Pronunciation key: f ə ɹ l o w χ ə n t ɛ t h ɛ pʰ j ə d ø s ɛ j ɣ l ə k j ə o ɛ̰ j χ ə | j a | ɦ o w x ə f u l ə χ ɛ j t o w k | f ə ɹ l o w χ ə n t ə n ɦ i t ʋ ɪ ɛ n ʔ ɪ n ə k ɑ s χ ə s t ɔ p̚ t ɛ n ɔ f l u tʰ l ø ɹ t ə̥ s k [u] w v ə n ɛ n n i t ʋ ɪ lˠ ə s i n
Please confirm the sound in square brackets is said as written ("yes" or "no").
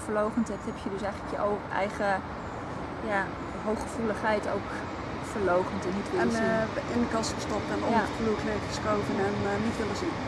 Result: no